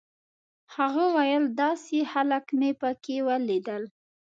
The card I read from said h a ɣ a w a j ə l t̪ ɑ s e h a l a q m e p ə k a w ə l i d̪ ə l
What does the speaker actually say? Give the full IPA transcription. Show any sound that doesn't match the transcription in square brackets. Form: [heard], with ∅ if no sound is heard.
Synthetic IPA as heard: h a ɣ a w a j ə l [d̪] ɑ s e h a l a [k] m e p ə k [e] w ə l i d̪ ə l